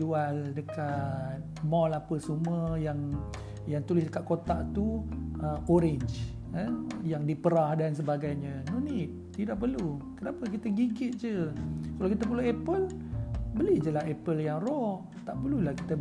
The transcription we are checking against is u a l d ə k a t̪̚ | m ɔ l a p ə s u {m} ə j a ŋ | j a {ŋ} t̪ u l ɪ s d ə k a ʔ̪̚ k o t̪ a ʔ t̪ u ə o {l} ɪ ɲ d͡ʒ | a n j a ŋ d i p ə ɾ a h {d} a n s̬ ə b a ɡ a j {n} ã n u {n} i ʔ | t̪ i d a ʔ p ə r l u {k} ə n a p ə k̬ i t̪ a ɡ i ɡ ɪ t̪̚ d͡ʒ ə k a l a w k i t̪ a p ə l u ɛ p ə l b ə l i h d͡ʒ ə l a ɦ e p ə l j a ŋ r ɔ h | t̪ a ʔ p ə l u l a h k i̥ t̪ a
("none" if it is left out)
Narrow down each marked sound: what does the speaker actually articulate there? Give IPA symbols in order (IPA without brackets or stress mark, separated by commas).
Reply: m, ŋ, ɾ, d, ɲ, n, k